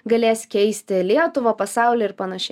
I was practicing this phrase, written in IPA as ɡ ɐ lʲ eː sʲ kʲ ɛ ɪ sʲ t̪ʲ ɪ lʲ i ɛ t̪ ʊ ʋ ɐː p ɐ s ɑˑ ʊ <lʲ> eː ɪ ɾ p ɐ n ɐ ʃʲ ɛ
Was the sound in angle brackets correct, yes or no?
yes